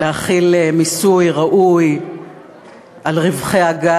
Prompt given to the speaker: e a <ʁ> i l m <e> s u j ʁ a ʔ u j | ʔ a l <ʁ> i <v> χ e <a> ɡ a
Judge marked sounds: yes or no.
no, no, yes, yes, yes

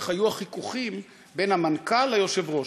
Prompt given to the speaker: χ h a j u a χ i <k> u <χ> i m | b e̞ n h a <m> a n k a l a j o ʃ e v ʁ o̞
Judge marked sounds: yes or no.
yes, yes, yes

